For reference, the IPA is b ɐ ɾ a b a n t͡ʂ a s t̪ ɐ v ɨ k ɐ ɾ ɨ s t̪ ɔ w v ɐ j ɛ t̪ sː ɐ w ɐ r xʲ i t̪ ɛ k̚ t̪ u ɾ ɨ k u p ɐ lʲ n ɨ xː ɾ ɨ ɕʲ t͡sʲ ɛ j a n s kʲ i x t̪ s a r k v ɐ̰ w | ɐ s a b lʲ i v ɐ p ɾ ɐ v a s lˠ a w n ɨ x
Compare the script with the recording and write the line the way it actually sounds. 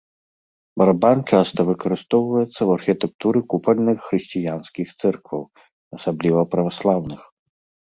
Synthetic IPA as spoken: b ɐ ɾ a b a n t͡ʂ a s t̪ ɐ v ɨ k ɐ ɾ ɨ s t̪ ɔ w v ɐ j ɛ t̪ sː ɐ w ɐ r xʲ i t̪ ɛ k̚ t̪ u ɾ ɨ k u p ɐ lʲ n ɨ xː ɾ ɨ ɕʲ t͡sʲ i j a n s kʲ i x t̪ s ɛ r k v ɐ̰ w | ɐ s a b lʲ i v ɐ p ɾ ɐ v a s lˠ a w n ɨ x